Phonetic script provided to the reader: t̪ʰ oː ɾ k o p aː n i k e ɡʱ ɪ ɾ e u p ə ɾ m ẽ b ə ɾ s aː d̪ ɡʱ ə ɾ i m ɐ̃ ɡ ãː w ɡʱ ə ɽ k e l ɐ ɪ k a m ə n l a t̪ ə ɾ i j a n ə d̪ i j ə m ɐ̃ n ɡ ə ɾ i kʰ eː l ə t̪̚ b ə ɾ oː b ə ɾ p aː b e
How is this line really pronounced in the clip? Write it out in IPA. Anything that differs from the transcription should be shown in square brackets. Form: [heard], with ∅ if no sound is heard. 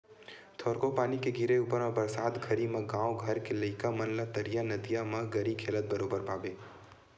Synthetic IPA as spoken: t̪ʰ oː ɾ k o p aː n i k e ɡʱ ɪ ɾ e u p ə ɾ m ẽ b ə ɾ s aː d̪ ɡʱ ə ɾ i m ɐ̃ ɡ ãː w ɡʱ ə [ɾ] k e l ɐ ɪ k a m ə n l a t̪ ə ɾ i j a n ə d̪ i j [a] m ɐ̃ [∅] ɡ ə ɾ i kʰ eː l ə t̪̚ b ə ɾ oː b ə ɾ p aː b e